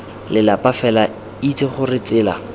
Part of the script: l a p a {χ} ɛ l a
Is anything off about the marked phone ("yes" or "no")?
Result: yes